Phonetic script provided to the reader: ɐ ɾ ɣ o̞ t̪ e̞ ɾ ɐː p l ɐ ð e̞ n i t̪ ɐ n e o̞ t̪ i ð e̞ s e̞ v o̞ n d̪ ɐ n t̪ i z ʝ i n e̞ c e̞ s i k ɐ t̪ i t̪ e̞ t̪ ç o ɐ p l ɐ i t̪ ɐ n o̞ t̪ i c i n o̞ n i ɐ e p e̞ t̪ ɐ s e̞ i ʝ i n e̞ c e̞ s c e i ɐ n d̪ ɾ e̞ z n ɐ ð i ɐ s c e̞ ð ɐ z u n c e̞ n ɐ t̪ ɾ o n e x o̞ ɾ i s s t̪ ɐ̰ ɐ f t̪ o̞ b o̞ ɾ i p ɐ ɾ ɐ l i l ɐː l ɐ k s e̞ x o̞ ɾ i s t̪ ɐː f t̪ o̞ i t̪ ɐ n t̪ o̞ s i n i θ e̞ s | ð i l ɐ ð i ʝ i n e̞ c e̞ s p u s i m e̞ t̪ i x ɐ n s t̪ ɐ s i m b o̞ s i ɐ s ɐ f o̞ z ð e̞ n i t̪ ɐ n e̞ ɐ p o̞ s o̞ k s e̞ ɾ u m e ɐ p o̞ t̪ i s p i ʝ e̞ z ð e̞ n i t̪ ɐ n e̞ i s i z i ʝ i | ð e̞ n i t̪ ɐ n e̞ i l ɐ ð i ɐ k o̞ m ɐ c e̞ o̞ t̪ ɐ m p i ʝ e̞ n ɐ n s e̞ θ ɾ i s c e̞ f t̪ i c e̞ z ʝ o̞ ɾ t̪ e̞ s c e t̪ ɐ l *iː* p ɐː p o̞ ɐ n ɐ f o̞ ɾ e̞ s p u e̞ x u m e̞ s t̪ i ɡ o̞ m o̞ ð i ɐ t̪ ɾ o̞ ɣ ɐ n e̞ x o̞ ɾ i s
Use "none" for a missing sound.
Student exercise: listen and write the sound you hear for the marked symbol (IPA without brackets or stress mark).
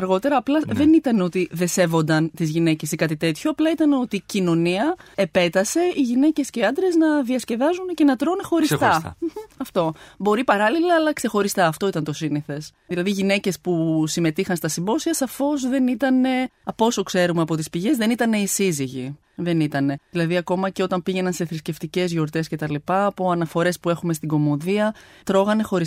i